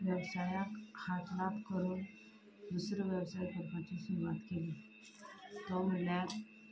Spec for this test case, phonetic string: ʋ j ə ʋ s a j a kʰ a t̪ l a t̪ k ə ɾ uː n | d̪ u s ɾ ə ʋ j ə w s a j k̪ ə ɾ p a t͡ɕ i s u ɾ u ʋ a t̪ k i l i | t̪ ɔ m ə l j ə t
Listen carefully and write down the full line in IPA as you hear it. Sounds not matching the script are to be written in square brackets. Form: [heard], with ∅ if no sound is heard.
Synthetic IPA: ʋ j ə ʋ s a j a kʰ a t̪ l a t̪ k ə ɾ uː n | d̪ u s ɾ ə ʋ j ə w s a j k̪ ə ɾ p a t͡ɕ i s u ɾ u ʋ a t̪ k [e] l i | t̪ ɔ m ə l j [a] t